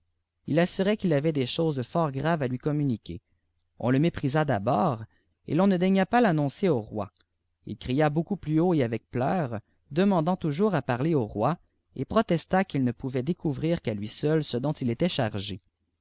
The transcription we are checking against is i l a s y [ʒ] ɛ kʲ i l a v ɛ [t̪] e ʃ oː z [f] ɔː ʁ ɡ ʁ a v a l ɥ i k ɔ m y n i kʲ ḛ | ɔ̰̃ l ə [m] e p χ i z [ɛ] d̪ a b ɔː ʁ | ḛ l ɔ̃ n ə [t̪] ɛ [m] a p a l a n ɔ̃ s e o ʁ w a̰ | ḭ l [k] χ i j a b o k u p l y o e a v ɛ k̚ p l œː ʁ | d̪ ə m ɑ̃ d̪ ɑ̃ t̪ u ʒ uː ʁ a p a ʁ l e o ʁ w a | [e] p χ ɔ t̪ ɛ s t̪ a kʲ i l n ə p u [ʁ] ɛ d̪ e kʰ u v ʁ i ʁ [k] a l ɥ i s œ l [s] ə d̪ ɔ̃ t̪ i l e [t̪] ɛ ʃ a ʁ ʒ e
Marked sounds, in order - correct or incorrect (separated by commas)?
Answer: incorrect, incorrect, correct, correct, incorrect, incorrect, incorrect, correct, correct, incorrect, correct, correct, correct